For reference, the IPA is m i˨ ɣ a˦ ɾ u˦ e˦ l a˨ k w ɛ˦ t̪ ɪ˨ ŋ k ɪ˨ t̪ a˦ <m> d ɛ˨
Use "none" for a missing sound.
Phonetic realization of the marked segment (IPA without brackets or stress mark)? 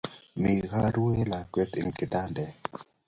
n